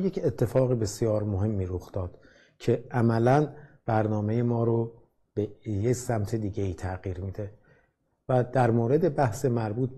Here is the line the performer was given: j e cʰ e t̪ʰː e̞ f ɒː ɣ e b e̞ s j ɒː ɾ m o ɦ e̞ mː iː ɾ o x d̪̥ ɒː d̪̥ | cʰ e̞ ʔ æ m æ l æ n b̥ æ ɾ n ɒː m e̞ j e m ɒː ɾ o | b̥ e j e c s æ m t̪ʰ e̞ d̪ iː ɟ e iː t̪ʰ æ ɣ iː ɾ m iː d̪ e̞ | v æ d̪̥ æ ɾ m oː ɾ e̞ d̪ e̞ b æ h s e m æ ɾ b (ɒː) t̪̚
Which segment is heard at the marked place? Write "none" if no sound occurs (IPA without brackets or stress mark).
uː